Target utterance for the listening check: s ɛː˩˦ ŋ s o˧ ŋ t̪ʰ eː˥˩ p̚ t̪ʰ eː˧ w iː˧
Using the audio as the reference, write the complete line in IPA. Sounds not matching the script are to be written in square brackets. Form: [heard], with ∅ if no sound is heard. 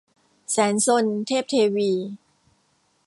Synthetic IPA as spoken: s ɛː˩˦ [n] s o˧ [n] t̪ʰ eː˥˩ p̚ t̪ʰ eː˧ w iː˧